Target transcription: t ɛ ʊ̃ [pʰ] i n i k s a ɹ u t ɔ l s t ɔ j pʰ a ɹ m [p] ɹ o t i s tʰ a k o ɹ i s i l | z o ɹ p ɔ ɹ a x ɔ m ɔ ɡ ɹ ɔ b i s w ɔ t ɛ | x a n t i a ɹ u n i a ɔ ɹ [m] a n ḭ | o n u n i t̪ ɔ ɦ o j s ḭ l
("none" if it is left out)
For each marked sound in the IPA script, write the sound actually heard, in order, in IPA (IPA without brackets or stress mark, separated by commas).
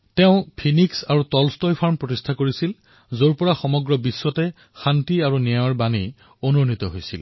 pʰ, p, b